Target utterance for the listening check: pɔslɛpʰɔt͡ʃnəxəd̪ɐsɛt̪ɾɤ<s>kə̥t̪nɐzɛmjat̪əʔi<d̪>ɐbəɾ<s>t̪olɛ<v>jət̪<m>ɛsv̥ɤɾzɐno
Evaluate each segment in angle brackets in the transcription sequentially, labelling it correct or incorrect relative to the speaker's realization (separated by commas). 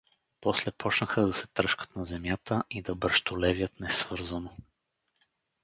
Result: incorrect, correct, incorrect, correct, incorrect